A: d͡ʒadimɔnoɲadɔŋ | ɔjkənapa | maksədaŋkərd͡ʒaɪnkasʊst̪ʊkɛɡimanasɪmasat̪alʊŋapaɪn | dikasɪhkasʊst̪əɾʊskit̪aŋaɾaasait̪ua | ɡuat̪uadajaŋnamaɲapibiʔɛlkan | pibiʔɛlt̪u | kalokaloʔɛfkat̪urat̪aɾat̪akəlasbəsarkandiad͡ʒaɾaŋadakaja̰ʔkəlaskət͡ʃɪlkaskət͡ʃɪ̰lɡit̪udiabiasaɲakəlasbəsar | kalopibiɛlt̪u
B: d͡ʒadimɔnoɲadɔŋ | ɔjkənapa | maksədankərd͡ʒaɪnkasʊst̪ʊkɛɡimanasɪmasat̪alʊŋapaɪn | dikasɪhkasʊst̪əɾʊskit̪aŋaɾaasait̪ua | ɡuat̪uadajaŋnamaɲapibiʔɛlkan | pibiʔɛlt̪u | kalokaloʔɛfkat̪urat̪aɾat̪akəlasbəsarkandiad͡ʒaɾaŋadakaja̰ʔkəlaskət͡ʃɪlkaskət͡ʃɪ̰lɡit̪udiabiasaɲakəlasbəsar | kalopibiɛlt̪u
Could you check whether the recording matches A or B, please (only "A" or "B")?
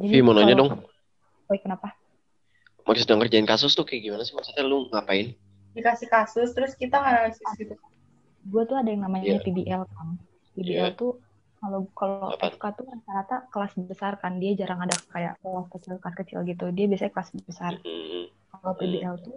A